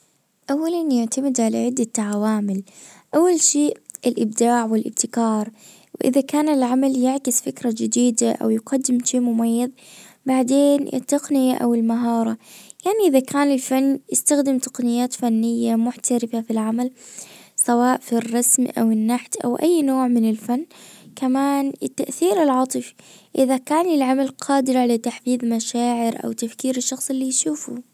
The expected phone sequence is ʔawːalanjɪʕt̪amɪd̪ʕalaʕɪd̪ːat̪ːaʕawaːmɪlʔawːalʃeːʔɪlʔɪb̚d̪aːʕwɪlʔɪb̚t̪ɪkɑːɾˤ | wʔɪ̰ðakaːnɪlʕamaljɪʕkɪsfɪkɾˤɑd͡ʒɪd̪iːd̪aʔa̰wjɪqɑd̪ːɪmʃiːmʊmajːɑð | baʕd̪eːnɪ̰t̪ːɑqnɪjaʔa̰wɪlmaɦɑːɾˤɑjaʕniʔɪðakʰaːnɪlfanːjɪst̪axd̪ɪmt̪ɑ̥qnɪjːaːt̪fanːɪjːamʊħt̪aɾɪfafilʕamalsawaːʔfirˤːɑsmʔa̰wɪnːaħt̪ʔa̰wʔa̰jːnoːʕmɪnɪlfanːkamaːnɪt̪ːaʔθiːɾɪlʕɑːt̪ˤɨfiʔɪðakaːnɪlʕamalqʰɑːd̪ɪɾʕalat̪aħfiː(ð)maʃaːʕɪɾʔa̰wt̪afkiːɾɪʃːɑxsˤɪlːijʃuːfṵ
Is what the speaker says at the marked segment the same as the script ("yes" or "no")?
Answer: yes